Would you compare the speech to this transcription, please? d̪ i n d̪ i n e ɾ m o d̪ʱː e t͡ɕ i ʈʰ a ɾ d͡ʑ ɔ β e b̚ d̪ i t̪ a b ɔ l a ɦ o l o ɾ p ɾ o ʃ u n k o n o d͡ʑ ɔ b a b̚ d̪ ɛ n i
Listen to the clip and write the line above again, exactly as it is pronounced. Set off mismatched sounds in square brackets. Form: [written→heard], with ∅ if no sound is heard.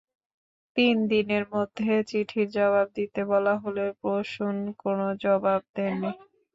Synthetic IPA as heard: [d̪→t̪] i n d̪ i n e ɾ m o d̪ʱː e t͡ɕ i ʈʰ [a→i] ɾ d͡ʑ ɔ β [e→a] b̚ d̪ i t̪ [a→e] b ɔ l a ɦ o l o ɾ p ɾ o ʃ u n k o n o d͡ʑ ɔ b a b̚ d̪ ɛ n i